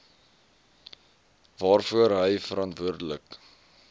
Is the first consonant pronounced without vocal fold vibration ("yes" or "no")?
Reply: no